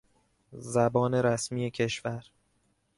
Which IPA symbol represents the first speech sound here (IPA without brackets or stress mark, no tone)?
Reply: z